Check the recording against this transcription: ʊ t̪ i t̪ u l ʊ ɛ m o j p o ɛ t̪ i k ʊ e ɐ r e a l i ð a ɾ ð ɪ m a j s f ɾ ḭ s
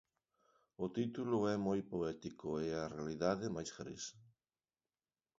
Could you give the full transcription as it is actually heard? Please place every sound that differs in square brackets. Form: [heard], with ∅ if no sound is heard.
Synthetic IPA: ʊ t̪ i t̪ u l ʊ ɛ m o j p o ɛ t̪ i k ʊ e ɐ r e a l i ð a [∅] ð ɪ m a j s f ɾ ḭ s